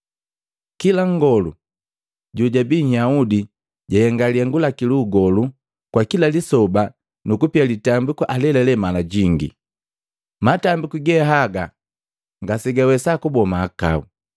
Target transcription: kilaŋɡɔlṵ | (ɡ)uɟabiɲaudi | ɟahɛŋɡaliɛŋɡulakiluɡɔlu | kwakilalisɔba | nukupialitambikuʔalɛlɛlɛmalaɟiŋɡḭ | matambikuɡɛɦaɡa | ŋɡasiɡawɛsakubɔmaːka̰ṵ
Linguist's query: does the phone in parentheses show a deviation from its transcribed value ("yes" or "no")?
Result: yes